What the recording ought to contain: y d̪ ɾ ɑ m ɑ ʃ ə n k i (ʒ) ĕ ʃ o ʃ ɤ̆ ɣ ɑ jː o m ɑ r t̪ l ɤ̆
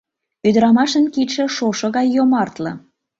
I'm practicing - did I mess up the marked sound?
yes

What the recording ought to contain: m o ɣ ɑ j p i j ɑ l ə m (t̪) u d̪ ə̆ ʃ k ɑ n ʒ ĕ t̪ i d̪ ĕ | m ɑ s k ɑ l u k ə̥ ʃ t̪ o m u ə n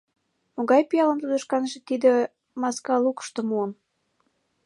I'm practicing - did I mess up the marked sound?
no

